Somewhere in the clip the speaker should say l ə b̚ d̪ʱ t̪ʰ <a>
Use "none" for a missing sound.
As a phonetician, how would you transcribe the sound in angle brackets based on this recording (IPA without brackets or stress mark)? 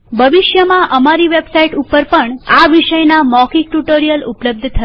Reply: ə